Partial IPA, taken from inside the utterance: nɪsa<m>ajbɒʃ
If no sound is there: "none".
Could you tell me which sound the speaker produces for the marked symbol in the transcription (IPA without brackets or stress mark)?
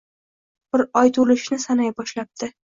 n